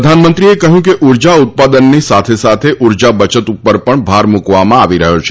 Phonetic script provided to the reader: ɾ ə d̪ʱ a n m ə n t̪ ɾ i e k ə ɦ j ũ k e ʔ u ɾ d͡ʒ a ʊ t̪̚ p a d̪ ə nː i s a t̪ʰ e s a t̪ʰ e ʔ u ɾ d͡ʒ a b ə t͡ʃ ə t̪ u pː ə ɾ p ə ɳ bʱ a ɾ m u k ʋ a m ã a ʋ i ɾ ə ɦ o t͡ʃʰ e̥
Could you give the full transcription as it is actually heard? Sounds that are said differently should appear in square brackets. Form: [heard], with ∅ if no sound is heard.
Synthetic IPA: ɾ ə d̪ʱ a n m ə n t̪ ɾ i e k ə ɦ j ũ k e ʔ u ɾ d͡ʒ a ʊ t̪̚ p a d̪ ə nː i s a t̪ʰ e s a t̪ʰ e ʔ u ɾ d͡ʒ a b ə t͡ʃ ə t̪ u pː ə ɾ p ə ɳ bʱ a ɾ m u k ʋ a m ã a ʋ i ɾ ə ɦ o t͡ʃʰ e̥